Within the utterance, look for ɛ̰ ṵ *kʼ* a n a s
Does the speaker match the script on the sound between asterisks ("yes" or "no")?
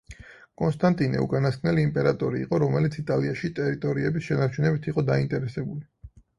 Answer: yes